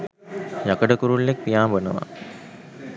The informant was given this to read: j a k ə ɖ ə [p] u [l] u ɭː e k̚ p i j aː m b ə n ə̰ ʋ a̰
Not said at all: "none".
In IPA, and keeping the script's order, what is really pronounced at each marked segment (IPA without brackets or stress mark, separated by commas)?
k, ɾ